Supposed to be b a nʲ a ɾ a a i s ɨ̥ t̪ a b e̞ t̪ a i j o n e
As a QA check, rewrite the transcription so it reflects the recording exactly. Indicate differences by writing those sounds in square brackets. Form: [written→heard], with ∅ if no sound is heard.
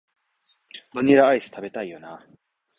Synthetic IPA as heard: b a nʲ [a→i] ɾ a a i s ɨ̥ t̪ a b e̞ t̪ a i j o n [e→a]